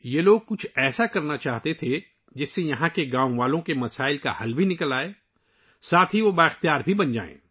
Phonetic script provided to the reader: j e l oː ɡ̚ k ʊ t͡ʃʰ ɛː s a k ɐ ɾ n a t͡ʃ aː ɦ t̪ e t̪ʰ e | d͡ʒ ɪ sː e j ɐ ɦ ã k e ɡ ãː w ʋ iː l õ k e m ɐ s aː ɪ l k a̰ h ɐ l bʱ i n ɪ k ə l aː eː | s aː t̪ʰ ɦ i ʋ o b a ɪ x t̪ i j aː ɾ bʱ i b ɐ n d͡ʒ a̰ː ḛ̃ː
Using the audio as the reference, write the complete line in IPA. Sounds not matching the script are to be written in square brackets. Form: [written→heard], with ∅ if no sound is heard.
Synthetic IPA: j e l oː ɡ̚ k ʊ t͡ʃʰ ɛː s a k ɐ ɾ n a t͡ʃ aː ɦ t̪ e t̪ʰ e | d͡ʒ ɪ sː e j ɐ ɦ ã k e ɡ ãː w ʋ [iː→aː] l õ k e m ɐ s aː ɪ l k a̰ h ɐ l bʱ i n ɪ k ə l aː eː | s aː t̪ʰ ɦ i ʋ o b a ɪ x t̪ i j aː ɾ bʱ i b ɐ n d͡ʒ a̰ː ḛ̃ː